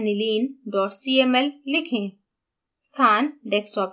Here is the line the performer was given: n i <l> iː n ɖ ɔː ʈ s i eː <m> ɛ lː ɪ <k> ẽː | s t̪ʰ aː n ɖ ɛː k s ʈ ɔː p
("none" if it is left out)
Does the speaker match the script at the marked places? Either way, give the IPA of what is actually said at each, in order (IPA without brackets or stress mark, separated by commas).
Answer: l, m, kʰ